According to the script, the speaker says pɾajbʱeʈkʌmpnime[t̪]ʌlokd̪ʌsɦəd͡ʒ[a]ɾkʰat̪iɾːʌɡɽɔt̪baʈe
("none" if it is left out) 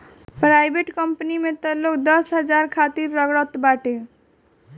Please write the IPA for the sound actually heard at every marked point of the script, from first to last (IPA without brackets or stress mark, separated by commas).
t̪, a